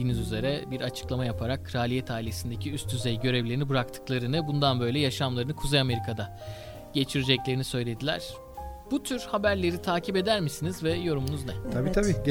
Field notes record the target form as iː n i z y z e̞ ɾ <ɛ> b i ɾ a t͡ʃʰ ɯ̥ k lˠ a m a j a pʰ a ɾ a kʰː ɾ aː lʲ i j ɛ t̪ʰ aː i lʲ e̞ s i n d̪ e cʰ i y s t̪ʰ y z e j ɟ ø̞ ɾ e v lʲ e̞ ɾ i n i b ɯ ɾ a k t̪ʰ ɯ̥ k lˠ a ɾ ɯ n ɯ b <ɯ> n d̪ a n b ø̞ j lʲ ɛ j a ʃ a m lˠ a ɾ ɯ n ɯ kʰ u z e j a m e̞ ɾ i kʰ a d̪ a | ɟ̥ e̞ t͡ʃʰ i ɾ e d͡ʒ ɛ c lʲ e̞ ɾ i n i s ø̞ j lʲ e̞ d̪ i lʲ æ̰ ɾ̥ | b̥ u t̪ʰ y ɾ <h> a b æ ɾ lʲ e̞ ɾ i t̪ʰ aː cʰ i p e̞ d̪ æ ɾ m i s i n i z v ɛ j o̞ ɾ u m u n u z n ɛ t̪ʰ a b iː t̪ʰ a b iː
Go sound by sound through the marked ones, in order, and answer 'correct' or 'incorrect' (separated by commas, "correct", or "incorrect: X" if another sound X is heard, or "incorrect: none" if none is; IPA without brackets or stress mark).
correct, incorrect: u, correct